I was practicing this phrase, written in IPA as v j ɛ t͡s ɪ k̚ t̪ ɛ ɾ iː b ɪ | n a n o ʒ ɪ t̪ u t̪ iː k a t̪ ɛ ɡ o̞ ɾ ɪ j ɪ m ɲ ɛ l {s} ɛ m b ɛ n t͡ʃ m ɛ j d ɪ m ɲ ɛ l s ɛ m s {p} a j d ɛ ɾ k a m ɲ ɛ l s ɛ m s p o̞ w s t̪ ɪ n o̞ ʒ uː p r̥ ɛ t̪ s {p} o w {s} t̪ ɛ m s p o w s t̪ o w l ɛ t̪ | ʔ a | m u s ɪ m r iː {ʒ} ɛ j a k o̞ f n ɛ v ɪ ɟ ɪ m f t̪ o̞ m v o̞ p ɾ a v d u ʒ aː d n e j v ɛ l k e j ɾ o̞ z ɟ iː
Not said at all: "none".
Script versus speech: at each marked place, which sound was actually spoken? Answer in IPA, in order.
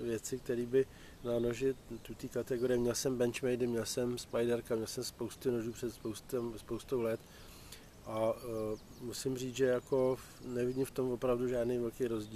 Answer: s, p, p, s, ʒ

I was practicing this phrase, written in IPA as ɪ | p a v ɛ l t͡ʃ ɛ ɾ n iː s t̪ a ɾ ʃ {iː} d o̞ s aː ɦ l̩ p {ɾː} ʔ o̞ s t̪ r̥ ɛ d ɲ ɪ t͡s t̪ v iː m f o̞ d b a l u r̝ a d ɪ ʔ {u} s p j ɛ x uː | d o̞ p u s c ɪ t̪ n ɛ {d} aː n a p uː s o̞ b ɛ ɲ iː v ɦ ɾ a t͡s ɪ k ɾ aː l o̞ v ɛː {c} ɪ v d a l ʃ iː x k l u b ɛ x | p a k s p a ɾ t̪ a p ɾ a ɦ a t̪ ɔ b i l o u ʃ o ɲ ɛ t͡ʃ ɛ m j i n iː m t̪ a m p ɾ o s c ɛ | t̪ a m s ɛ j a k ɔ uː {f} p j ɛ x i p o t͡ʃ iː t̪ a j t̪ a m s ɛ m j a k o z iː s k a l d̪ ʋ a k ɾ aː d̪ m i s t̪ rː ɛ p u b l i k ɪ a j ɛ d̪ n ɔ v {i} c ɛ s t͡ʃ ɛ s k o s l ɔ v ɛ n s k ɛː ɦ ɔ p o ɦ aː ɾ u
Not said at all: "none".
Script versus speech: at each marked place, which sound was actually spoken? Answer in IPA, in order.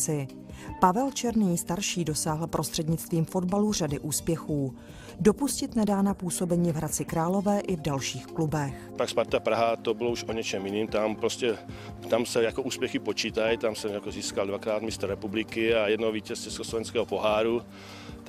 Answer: iː, ɾ, uː, d, ʔ, s, iː

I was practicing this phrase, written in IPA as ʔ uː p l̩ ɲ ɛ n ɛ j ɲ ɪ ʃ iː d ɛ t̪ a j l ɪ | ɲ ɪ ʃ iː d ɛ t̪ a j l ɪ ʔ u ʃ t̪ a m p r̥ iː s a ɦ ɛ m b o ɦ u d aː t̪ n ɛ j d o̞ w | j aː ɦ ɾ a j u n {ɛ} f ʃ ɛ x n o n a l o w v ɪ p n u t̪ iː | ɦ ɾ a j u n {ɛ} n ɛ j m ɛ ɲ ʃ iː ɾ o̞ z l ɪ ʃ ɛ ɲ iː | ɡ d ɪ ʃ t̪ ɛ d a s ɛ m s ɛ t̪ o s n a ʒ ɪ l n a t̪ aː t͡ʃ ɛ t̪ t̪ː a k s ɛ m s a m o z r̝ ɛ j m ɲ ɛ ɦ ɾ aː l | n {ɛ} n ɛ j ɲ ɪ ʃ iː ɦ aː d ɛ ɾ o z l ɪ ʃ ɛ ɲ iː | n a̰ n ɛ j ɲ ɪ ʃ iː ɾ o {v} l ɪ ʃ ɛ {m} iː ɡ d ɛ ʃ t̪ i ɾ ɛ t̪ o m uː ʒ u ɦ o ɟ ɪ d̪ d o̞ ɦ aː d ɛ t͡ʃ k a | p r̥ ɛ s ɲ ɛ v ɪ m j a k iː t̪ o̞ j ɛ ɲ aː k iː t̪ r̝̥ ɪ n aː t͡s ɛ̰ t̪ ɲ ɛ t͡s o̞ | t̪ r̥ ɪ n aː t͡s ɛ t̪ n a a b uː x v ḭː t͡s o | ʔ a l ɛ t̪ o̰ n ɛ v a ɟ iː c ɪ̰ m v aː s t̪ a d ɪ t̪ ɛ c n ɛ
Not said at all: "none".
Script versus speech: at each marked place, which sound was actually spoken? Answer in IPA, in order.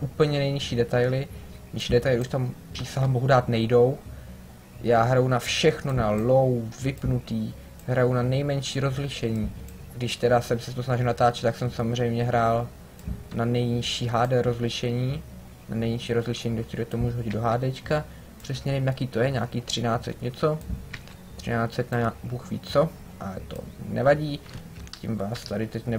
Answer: a, a, a, z, ɲ

